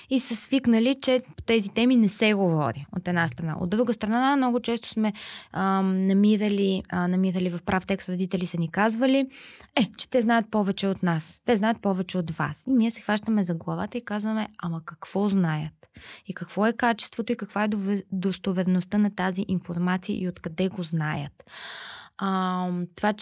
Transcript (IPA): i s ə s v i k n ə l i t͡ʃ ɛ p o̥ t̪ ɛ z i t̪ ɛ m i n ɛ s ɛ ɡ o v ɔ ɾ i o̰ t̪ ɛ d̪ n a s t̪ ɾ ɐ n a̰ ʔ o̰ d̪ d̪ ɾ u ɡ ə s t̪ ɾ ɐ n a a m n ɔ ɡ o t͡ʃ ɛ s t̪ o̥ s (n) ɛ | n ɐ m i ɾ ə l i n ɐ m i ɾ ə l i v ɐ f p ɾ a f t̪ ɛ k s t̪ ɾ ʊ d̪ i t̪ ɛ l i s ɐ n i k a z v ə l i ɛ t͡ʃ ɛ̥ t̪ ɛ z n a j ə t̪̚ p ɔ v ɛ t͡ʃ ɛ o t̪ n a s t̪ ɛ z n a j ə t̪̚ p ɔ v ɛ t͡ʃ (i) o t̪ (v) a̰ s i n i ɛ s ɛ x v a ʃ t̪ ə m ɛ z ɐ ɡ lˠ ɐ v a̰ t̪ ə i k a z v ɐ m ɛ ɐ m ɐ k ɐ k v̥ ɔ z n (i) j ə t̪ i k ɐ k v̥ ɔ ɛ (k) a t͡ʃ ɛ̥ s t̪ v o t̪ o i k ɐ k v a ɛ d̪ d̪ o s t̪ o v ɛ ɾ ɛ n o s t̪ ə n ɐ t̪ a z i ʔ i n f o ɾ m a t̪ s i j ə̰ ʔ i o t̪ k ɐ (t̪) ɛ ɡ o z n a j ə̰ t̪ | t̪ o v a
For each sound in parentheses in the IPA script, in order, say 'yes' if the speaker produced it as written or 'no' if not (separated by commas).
no, no, yes, no, yes, no